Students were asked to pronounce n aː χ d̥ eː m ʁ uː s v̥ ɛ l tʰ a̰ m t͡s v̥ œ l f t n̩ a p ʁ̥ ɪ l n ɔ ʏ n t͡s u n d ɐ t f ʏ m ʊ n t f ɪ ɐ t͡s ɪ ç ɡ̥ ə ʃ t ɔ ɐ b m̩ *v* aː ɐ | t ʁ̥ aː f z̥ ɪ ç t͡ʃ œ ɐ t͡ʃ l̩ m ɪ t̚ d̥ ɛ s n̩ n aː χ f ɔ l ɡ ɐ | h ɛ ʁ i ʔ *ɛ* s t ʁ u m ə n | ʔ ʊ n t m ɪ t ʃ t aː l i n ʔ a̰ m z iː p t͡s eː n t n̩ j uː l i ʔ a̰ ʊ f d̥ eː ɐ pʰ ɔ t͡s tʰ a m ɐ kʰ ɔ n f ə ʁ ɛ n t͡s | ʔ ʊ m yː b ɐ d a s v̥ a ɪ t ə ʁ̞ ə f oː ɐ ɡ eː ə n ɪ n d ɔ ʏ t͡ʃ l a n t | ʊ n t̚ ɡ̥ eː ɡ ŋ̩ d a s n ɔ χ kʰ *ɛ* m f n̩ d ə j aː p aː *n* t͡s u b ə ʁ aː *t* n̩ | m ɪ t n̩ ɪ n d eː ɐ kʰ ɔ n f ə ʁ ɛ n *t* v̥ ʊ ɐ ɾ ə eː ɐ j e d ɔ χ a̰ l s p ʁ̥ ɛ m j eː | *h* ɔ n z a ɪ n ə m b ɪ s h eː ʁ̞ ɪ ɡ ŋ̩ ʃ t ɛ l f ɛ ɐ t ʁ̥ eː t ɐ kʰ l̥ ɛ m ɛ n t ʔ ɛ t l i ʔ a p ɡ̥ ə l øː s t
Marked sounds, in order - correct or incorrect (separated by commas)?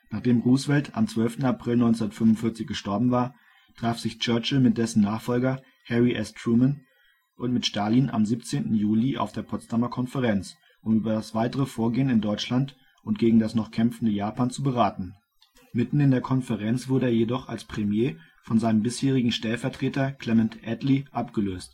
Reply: correct, correct, correct, correct, correct, incorrect, incorrect